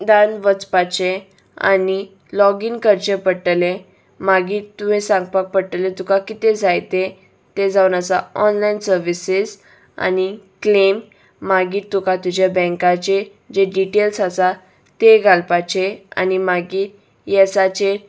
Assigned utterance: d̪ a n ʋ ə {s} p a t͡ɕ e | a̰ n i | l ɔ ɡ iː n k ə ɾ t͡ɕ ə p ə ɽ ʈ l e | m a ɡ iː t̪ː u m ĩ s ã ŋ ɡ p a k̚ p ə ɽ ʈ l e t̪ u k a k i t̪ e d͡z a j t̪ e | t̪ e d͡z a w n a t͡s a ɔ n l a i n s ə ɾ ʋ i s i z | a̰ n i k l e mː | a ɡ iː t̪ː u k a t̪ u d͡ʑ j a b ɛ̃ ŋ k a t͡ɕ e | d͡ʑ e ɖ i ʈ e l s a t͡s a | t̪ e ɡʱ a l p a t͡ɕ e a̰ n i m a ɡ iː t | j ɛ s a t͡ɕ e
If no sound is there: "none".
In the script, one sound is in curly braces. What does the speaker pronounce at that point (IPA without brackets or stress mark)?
t͡s